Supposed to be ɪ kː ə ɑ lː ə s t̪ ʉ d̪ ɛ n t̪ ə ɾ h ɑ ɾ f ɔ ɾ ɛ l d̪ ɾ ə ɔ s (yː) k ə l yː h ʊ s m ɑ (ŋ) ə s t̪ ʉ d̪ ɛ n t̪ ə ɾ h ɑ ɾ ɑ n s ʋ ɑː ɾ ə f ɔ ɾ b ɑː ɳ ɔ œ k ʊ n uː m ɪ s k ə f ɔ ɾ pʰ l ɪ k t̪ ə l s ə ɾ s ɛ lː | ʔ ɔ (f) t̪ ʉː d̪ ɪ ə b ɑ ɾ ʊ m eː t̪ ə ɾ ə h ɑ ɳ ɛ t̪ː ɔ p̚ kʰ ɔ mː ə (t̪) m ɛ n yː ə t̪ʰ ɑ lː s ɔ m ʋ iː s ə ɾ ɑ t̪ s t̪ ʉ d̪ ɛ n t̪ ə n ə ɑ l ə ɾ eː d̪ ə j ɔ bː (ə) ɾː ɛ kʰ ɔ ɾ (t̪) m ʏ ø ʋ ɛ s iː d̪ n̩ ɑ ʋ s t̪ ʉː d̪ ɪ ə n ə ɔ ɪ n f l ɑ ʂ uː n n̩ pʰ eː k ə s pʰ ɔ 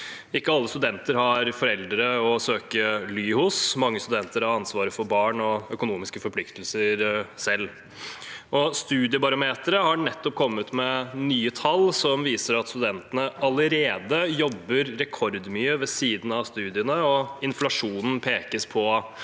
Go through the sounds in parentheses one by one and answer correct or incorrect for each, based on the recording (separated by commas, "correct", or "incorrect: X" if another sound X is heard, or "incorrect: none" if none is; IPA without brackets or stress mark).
incorrect: øː, incorrect: ŋː, incorrect: s, correct, correct, incorrect: d̪